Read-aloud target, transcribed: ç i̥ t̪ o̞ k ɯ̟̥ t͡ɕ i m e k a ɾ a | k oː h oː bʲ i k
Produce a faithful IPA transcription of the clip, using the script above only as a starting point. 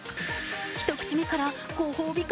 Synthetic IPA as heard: ç i̥ t̪ o̞ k ɯ̟̥ t͡ɕ i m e k a ɾ a | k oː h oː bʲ i k